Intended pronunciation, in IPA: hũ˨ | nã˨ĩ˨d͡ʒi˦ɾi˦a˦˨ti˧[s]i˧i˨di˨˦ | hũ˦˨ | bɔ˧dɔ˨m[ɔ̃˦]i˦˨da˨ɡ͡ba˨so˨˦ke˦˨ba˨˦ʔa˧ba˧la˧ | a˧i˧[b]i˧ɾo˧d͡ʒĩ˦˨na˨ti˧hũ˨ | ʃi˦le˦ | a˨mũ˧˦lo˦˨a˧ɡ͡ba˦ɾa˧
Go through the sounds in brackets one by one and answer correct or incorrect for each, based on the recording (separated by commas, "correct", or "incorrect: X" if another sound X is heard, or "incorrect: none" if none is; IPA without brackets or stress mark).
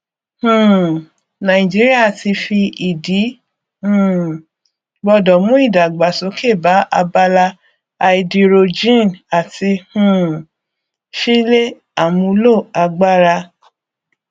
incorrect: f, incorrect: ũ˦, incorrect: d